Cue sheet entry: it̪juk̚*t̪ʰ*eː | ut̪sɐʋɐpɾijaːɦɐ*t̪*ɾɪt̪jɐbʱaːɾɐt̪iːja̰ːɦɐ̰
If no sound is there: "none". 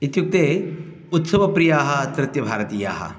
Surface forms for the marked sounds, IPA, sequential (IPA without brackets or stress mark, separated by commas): t̪, t̪